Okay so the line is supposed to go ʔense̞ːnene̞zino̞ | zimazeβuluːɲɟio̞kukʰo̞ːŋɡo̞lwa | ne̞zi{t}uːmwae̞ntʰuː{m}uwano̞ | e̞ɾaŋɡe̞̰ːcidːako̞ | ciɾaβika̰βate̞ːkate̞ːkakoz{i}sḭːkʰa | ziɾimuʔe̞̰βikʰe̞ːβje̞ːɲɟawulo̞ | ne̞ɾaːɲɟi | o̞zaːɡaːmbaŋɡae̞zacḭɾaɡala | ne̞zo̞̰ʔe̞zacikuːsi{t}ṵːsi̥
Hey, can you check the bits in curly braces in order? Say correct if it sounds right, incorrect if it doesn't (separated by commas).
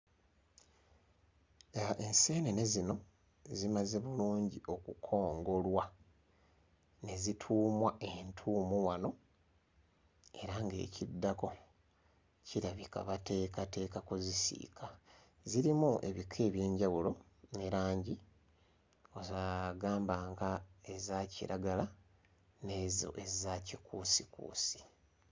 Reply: incorrect, correct, correct, incorrect